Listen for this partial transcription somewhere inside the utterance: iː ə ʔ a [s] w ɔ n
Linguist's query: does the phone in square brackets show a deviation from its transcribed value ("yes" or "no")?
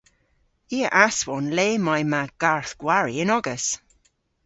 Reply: no